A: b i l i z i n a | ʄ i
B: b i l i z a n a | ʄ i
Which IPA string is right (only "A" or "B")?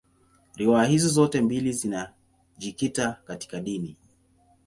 A